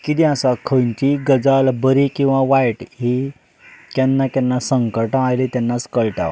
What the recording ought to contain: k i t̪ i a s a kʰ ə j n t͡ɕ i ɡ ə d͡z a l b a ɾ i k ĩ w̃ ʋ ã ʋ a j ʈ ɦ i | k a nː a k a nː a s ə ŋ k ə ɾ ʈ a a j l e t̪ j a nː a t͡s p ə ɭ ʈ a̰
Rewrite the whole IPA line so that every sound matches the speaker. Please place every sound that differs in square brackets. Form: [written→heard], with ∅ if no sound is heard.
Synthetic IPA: k i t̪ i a s a kʰ ə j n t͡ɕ i ɡ ə d͡z a l b [a→ə] ɾ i k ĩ w̃ ʋ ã ʋ a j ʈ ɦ i | k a nː a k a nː a s ə ŋ k ə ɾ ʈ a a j l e t̪ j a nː a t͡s [p→k] ə ɭ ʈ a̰